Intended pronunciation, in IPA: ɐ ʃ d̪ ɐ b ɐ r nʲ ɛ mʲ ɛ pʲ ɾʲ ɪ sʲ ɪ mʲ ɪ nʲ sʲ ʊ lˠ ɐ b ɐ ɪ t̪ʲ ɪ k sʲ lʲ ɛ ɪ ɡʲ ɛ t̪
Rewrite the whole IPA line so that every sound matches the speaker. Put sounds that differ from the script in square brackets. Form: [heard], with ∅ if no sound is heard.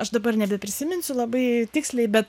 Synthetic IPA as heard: ɐ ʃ d̪ ɐ b ɐ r nʲ ɛ [bʲ] ɛ pʲ ɾʲ ɪ sʲ ɪ mʲ ɪ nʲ sʲ ʊ lˠ ɐ b ɐ ɪ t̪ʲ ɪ k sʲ lʲ ɛ ɪ [bʲ] ɛ t̪